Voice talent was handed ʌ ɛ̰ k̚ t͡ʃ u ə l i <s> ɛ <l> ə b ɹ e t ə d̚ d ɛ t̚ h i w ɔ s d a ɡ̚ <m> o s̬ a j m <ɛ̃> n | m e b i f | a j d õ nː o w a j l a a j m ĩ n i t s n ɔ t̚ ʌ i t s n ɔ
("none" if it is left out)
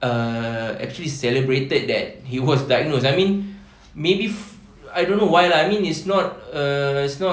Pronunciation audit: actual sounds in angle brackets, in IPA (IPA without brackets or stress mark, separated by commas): s, l, n, ĩ